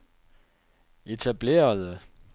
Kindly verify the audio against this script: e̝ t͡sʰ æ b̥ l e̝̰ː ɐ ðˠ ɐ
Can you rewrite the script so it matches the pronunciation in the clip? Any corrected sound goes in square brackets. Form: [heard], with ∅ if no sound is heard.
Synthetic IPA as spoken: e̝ t͡sʰ æ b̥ l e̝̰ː ɐ ðˠ [ə]